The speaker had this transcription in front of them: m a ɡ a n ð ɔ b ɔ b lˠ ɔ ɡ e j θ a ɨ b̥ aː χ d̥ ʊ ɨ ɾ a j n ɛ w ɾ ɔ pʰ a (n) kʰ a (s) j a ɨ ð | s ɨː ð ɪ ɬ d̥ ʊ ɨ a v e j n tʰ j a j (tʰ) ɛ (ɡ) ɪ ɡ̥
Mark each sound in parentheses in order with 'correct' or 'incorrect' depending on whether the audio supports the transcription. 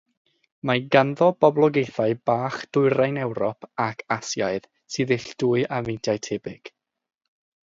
incorrect: none, correct, correct, incorrect: b

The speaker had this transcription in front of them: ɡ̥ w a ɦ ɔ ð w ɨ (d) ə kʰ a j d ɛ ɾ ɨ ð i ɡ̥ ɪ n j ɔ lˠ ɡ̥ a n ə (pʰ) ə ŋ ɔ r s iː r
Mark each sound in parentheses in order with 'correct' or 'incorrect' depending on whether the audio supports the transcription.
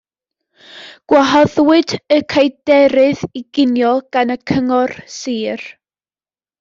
correct, incorrect: kʰ

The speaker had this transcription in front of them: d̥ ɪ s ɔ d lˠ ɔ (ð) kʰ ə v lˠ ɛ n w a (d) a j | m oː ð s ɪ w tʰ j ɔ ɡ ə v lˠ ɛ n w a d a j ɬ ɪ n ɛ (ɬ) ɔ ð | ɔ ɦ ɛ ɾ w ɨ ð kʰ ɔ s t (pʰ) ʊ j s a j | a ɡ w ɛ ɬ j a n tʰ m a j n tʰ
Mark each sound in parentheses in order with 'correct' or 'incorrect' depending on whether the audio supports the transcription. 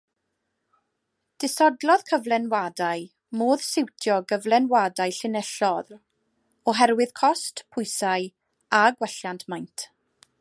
correct, correct, correct, correct

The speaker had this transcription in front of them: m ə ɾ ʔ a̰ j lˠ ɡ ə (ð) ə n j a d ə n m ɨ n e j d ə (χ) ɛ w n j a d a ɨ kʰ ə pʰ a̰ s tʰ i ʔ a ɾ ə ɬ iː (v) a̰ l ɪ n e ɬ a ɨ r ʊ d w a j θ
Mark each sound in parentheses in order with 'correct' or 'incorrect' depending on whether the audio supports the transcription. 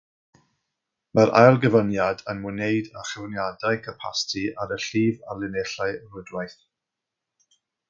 incorrect: v, correct, correct

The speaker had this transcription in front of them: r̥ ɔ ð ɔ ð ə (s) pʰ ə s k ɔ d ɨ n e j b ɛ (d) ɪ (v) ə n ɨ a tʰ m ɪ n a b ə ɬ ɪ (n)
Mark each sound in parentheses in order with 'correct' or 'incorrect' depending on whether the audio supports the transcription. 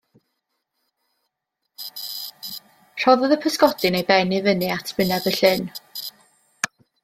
incorrect: none, incorrect: n, correct, correct

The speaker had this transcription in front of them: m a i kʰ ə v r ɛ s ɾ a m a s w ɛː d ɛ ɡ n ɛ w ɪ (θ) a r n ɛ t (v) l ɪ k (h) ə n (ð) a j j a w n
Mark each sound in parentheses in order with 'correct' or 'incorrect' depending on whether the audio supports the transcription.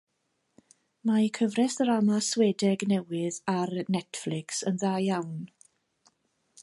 incorrect: ð, incorrect: f, incorrect: s, correct

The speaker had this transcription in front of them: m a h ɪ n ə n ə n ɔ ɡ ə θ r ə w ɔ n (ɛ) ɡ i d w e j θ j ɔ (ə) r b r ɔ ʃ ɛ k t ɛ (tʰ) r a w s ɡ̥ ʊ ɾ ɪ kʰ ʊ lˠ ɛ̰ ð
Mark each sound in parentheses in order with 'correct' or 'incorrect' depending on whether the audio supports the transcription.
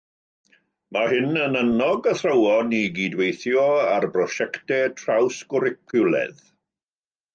incorrect: i, incorrect: a, correct

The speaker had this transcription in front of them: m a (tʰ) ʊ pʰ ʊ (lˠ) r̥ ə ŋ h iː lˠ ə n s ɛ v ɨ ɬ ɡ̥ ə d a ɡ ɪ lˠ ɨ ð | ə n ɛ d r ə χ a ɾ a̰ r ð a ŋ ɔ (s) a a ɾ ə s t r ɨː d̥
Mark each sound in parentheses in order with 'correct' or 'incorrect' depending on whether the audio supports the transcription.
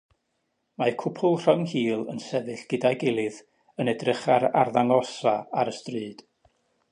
incorrect: kʰ, correct, correct

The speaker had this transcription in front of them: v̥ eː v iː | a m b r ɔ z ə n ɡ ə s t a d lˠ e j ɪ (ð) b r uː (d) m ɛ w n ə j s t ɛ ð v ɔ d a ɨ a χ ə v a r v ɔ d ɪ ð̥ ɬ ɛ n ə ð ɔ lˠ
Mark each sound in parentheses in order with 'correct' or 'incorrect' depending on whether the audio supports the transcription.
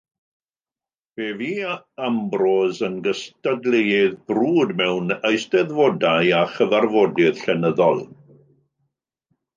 correct, correct

